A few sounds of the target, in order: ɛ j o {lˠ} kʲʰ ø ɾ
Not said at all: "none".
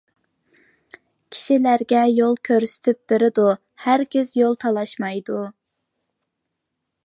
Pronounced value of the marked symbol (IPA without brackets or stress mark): lˠ